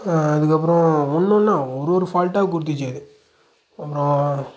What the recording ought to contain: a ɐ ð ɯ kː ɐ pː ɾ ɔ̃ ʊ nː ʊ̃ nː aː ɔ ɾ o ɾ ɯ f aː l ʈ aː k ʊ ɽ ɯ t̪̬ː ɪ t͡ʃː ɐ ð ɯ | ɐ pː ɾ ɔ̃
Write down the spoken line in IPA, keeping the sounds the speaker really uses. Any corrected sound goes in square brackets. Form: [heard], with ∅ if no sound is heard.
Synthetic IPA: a ɐ ð ɯ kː ɐ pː ɾ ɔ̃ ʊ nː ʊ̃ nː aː ɔ ɾ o ɾ ɯ f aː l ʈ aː k ʊ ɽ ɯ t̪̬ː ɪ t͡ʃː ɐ ð ɯ | ɐ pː ɾ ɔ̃

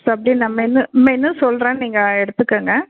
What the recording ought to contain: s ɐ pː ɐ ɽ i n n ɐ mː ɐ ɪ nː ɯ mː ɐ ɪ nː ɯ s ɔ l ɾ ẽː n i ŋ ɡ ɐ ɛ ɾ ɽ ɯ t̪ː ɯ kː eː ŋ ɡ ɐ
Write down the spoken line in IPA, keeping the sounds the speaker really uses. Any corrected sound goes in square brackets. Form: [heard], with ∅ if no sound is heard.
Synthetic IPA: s ɐ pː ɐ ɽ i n n ɐ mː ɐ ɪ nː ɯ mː ɐ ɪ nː ɯ s ɔ l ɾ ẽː n [iː] ŋ ɡ ɐ ɛ [∅] ɽ ɯ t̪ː ɯ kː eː ŋ ɡ ɐ

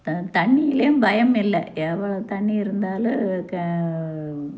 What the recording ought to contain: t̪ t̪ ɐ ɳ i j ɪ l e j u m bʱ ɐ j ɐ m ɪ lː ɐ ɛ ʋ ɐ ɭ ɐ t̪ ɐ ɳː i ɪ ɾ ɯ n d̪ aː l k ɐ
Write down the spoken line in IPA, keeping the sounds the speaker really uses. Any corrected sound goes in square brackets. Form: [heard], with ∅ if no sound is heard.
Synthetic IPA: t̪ t̪ ɐ [ɳː] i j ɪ l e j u m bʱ ɐ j ɐ m ɪ lː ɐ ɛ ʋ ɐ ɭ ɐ t̪ ɐ ɳː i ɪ ɾ ɯ n d̪ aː l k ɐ

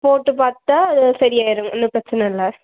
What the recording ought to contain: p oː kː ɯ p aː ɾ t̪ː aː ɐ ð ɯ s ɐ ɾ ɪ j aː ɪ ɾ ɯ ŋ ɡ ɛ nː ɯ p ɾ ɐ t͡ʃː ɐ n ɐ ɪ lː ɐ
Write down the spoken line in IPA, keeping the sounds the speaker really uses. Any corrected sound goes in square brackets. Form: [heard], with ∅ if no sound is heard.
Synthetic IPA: p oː [ʈː] ɯ p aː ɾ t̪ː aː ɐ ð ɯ s ɐ ɾ ɪ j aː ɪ ɾ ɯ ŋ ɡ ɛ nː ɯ p ɾ ɐ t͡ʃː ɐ n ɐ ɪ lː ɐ

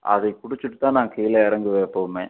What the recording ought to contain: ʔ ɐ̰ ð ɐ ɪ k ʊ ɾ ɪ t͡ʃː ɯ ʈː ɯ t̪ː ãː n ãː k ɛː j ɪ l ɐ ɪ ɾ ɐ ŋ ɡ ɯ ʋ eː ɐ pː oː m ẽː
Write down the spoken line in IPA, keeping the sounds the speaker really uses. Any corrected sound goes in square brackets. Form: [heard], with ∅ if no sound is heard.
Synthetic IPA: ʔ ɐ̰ ð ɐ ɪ k ʊ [ɽ] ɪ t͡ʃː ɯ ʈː ɯ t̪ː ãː n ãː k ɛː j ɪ l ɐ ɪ ɾ ɐ ŋ ɡ ɯ ʋ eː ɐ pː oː m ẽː

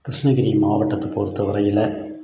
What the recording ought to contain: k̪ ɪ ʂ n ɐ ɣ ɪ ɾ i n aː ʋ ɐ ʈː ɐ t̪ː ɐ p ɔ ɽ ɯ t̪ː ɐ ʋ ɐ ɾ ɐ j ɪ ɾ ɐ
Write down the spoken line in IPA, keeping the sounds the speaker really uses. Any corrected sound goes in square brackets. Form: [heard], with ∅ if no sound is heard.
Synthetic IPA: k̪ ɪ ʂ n ɐ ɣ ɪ ɾ i [m] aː ʋ ɐ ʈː ɐ t̪ː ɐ p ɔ [ɾ] ɯ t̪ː ɐ ʋ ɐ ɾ ɐ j ɪ [l] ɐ

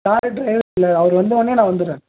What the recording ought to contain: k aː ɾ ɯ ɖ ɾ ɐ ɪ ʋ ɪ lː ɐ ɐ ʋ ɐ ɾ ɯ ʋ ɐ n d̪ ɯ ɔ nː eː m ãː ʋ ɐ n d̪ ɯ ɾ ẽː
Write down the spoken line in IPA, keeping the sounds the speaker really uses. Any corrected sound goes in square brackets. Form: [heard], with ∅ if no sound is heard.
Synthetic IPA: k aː ɾ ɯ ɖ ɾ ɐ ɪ ʋ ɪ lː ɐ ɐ ʋ ɐ ɾ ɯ ʋ ɐ n d̪ ɯ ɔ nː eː [n] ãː ʋ ɐ n d̪ ɯ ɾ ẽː

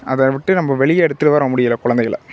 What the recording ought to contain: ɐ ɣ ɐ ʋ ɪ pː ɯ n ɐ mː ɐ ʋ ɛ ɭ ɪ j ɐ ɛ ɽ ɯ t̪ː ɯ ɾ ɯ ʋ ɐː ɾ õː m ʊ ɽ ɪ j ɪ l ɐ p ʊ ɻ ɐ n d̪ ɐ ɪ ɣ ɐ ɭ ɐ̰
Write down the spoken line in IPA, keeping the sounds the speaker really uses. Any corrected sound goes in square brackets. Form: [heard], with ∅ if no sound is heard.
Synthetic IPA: ɐ [ð] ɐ ʋ ɪ [ʈː] ɯ n ɐ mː ɐ ʋ ɛ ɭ ɪ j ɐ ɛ ɽ ɯ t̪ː ɯ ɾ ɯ ʋ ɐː ɾ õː m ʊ ɽ ɪ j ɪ l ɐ [k] ʊ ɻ ɐ n d̪ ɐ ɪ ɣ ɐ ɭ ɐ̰

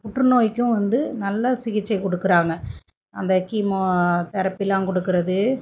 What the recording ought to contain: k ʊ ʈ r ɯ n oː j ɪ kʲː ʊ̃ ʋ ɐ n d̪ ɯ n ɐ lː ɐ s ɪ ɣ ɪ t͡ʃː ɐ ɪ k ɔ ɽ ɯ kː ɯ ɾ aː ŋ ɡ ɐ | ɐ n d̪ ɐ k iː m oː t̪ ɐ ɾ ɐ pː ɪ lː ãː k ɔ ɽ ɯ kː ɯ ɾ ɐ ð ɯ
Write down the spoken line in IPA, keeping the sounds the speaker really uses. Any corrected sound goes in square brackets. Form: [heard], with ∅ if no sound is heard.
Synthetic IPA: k ʊ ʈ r ɯ n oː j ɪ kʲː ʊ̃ ʋ ɐ n d̪ ɯ n ɐ lː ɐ s ɪ ɣ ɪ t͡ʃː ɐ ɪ k ɔ ɽ ɯ kː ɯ ɾ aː ŋ ɡ ɐ | ɐ n d̪ ɐ k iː m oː t̪ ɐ ɾ ɐ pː ɪ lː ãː k ɔ ɽ ɯ kː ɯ ɾ ɐ ð ɯ

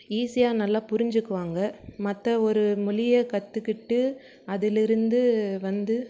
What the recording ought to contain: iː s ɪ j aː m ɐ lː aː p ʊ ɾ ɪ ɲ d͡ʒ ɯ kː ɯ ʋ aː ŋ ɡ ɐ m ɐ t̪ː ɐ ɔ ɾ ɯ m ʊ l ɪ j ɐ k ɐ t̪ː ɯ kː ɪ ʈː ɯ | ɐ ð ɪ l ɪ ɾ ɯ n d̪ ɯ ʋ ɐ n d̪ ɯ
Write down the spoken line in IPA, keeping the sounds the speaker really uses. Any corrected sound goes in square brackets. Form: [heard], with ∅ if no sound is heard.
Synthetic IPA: iː s ɪ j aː [n] ɐ lː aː p ʊ ɾ ɪ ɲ d͡ʒ ɯ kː ɯ ʋ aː ŋ ɡ ɐ m ɐ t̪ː ɐ ɔ ɾ ɯ m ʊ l ɪ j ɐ k ɐ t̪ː ɯ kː ɪ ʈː ɯ | ɐ ð ɪ l ɪ ɾ ɯ n d̪ ɯ ʋ ɐ n d̪ ɯ

